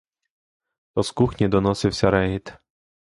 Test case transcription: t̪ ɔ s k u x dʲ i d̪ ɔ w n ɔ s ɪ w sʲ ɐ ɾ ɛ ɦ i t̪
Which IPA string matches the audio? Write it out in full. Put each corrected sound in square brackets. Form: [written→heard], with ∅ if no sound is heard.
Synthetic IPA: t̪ ɔ s k u x [dʲ→nʲ] i d̪ ɔ [w→∅] n ɔ s ɪ w sʲ ɐ ɾ ɛ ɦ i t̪

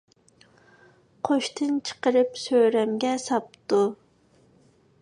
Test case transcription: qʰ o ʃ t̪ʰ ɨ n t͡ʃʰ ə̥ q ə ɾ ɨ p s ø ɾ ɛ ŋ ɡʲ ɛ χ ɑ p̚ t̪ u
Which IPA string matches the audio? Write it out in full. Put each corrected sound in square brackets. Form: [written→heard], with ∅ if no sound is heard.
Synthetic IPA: qʰ o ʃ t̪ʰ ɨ n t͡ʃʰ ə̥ q ə ɾ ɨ p s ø ɾ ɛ [ŋ→m] ɡʲ ɛ [χ→s] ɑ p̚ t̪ u

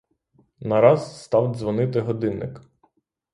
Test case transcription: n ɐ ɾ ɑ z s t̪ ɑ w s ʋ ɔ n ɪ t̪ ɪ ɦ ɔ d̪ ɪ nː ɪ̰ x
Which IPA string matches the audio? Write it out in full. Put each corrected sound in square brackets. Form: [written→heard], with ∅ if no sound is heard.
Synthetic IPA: n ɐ ɾ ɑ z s t̪ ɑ w [s→z] ʋ ɔ n ɪ t̪ ɪ ɦ ɔ d̪ ɪ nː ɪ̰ [x→k]

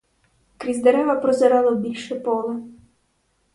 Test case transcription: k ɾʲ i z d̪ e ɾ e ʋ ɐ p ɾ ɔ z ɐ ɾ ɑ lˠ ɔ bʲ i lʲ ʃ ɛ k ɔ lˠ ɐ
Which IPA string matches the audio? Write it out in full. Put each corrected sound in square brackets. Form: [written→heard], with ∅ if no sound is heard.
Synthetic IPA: k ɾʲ i z d̪ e ɾ [e→ɛ] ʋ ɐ p ɾ ɔ z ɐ ɾ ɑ lˠ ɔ bʲ i lʲ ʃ ɛ [k→p] ɔ lˠ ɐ

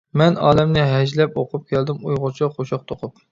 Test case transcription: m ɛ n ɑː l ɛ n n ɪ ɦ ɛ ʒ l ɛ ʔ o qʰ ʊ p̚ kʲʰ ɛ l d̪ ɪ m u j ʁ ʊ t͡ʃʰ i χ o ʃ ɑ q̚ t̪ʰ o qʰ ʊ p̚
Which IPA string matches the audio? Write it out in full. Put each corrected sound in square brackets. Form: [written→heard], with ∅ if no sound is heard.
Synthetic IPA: m ɛ n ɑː l ɛ [n→m] n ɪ ɦ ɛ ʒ l ɛ [ʔ→p] o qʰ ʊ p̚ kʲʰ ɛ l d̪ ɪ m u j ʁ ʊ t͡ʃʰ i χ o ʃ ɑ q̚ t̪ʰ o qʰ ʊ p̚

